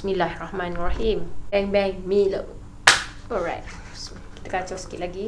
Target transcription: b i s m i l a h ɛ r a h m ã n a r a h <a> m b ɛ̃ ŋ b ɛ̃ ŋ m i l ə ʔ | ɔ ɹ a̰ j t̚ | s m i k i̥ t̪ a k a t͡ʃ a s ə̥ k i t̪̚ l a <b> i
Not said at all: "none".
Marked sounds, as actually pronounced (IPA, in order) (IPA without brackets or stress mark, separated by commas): i, ɡ